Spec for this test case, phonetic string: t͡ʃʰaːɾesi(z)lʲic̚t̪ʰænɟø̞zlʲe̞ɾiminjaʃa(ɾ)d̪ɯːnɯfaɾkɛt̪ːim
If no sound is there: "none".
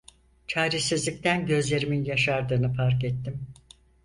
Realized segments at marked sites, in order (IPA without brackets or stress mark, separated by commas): z, ɾ